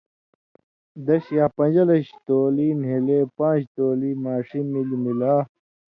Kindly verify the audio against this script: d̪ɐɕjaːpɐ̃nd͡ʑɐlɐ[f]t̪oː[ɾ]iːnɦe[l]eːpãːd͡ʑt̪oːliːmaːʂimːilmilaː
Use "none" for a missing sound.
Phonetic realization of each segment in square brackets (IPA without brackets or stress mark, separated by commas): ɕ, l, l